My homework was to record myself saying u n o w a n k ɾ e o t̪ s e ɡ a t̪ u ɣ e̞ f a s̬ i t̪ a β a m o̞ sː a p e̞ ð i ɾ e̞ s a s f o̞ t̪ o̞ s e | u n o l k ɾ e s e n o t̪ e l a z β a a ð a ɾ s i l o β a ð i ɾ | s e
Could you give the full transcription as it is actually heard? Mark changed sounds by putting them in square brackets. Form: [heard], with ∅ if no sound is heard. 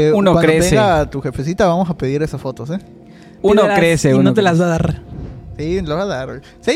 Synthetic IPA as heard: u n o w a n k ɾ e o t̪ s e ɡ a t̪ u [x] e̞ f [e] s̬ i t̪ a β a m o̞ [s] a p e̞ ð i ɾ e̞ s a s f o̞ t̪ o̞ s e | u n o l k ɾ e s e n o t̪ e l a z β a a ð a ɾ s i l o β a ð [a] ɾ | s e